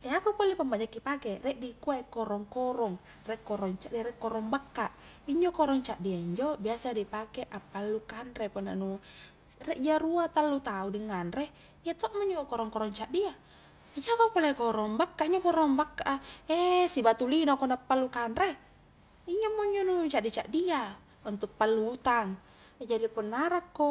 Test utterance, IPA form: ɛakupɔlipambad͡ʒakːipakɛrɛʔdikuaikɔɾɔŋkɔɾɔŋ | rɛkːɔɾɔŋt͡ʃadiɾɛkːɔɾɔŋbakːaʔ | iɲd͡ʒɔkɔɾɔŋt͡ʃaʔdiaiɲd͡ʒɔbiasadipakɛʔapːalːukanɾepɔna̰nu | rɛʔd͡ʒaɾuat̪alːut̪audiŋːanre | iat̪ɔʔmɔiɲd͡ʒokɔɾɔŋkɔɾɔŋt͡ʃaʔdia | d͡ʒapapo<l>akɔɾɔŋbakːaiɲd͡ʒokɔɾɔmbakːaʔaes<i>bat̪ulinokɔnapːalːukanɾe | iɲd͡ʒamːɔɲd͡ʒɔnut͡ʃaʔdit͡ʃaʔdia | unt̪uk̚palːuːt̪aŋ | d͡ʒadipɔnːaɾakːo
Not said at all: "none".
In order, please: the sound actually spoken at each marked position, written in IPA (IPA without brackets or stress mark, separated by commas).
l, i